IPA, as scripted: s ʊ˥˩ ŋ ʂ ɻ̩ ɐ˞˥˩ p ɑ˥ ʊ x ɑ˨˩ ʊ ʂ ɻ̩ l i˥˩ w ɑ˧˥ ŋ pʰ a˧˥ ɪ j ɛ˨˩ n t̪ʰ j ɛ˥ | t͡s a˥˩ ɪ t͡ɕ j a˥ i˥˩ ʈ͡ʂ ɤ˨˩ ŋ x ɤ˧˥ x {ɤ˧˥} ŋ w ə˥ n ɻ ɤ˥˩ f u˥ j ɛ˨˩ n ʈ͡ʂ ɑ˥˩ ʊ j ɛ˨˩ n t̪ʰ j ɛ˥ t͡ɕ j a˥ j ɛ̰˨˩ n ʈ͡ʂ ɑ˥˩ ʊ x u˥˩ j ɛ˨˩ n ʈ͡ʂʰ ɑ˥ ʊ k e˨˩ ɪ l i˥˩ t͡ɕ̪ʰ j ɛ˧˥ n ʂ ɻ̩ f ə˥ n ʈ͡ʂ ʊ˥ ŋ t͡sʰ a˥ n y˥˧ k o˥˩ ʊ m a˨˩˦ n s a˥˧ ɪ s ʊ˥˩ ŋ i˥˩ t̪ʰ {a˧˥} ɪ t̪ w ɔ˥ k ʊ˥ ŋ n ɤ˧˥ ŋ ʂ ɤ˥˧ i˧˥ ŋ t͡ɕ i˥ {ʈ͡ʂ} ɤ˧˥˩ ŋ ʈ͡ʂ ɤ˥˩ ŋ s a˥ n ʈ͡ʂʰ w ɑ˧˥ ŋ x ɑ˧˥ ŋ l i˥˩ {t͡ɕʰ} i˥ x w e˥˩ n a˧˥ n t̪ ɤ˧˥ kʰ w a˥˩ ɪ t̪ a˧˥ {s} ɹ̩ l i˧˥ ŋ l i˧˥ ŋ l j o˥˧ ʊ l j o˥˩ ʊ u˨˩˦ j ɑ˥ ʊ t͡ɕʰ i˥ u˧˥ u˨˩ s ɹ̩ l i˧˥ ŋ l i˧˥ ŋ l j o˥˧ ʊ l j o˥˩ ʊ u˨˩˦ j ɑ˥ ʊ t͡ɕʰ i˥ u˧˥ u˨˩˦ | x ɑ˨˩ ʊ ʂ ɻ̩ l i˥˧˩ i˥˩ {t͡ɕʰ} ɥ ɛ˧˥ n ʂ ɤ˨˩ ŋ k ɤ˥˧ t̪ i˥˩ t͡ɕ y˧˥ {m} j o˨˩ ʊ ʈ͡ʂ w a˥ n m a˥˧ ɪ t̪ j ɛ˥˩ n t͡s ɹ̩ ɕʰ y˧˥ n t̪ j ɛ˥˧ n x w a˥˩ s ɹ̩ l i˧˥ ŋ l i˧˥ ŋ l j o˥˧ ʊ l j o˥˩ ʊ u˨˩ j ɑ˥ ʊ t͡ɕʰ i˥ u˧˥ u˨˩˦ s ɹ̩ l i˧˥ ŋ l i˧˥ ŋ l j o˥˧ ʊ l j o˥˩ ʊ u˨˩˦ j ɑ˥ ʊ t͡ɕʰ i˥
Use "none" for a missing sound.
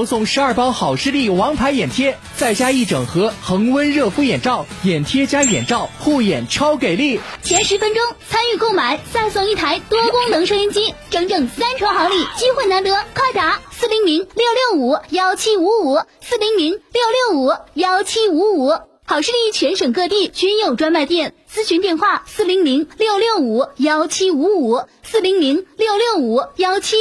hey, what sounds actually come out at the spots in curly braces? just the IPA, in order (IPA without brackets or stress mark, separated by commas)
ɤ˧˥, a˧˥, ʈ͡ʂ, t͡ɕ, s, t͡ɕʰ, n